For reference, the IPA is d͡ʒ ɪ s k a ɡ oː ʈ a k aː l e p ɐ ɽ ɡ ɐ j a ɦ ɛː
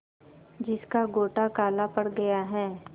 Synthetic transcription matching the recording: d͡ʒ ɪ s k a ɡ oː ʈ a k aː l a p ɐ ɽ ɡ ɐ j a ɦ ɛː